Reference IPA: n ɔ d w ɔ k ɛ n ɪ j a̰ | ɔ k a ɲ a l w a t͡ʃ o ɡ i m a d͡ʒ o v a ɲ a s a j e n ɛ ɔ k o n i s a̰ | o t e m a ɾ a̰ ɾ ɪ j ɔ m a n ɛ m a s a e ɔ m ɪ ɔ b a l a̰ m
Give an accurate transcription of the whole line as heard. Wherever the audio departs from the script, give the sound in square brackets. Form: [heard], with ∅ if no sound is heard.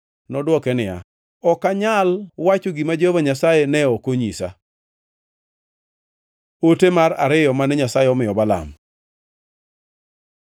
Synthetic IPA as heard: n ɔ d w ɔ k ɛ n ɪ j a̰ | ɔ k a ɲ a l w a t͡ʃ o ɡ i m a d͡ʒ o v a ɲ a s a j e n ɛ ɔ k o [ɲ] i s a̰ | o t e m a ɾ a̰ ɾ ɪ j ɔ m a n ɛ [ɲ] a s a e ɔ m ɪ ɔ b a l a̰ m